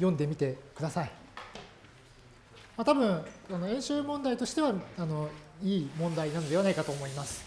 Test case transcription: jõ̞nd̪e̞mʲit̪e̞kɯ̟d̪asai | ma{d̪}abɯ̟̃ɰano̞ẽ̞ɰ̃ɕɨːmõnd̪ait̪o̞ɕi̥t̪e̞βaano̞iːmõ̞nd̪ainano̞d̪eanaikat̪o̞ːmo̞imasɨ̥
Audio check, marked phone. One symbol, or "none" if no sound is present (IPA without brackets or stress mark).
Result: t̪